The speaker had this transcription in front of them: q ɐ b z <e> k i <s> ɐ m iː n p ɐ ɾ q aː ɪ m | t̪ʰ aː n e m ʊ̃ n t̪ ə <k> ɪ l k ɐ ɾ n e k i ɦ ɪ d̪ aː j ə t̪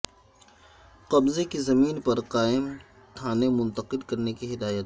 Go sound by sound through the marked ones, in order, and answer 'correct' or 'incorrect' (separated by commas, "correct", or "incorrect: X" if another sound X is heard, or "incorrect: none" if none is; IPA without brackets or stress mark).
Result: correct, incorrect: z, incorrect: q